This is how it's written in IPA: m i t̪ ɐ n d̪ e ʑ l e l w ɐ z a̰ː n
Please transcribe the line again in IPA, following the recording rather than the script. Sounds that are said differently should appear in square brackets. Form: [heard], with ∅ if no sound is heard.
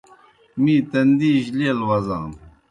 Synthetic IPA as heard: m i t̪ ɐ n d̪ [i] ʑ l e l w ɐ z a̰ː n